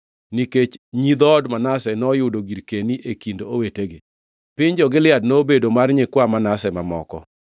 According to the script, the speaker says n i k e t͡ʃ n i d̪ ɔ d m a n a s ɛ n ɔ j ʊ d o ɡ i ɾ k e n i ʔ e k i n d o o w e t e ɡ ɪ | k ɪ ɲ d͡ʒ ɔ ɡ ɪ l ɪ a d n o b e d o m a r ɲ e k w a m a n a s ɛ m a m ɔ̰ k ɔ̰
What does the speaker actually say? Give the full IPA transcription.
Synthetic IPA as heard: n i k e t͡ʃ ɲ i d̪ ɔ d m a n a s ɛ n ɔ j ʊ d o ɡ i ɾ k e n i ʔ e k i n d o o w e t e ɡ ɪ | p ɪ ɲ d͡ʒ ɔ ɡ ɪ l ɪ a d n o b e d o m a r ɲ e k w a m a n a s ɛ m a m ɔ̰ k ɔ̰

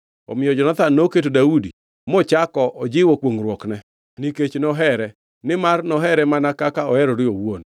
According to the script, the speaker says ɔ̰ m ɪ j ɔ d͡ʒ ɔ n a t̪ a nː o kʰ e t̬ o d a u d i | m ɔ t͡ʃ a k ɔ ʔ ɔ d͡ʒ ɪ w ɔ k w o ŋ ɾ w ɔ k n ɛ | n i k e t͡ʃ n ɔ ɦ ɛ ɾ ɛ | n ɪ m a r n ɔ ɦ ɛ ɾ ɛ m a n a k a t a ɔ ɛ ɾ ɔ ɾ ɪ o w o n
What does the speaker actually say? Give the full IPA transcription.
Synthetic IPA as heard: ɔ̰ m ɪ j ɔ d͡ʒ ɔ n a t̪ a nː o k e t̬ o d a u d i | m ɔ t͡ʃ a k ɔ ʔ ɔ d͡ʒ ɪ w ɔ k w o ŋ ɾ w ɔ k n ɛ | n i k e t͡ʃ n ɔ ɦ ɛ ɾ ɛ | n ɪ m a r n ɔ ɦ ɛ ɾ ɛ m a n a k a k a ɔ ɛ ɾ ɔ ɾ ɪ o w o n

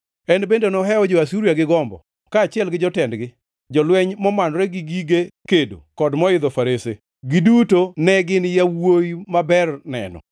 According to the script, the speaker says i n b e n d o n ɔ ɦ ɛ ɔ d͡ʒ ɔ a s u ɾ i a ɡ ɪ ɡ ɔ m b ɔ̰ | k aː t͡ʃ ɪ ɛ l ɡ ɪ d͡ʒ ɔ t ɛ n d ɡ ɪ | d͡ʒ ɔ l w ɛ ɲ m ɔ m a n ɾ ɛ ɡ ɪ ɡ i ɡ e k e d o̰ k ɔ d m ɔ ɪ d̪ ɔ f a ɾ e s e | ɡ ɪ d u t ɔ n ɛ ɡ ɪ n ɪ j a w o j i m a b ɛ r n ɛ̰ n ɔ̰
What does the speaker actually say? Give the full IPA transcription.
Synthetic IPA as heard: ɛ n b e n d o n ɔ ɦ ɛ ɔ d͡ʒ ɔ a s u ɾ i a ɡ ɪ ɡ ɔ m b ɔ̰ | k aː t͡ʃ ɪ ɛ l ɡ ɪ d͡ʒ ɔ t ɛ n d ɡ ɪ | d͡ʒ ɔ l w ɛ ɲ m ɔ m a n ɾ ɛ ɡ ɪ ɡ i ɡ e k e d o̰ k ɔ d m ɔ ɪ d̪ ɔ f a ɾ e s e | ɡ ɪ d u t o n ɛ ɡ ɪ n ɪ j a w o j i m a b ɛ r n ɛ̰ n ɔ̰

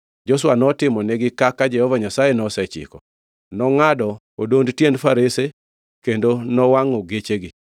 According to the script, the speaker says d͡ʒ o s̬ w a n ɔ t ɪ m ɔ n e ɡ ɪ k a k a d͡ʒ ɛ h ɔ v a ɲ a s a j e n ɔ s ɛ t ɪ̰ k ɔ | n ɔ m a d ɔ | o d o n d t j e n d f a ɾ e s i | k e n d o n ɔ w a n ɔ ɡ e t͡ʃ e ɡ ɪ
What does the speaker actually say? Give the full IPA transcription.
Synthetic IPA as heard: d͡ʒ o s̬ w a n ɔ t ɪ m ɔ n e ɡ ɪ k a k a d͡ʒ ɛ h ɔ v a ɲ a s a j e n ɔ s ɛ t͡ʃ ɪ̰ k ɔ | n ɔ ŋ a d ɔ | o d o n d t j e n d f a ɾ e s e | k e n d o n ɔ w a ŋ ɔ ɡ e t͡ʃ e ɡ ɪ

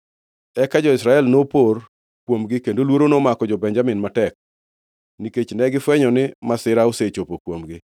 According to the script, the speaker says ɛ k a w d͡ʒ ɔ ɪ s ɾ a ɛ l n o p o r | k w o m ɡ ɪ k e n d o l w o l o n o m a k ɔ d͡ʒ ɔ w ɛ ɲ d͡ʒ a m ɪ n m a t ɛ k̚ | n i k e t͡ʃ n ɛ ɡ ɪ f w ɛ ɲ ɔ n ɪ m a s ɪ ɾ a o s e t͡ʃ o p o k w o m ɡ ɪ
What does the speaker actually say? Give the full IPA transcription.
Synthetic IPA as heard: ɛ k a d͡ʒ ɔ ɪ s ɾ a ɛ l n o p o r | k w o m ɡ ɪ k e n d o l w o ɾ o n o m a k ɔ d͡ʒ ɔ b ɛ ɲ d͡ʒ a m ɪ n m a t ɛ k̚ | n i k e t͡ʃ n ɛ ɡ ɪ f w ɛ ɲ ɔ n ɪ m a s ɪ ɾ a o s e t͡ʃ o p o k w o m ɡ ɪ

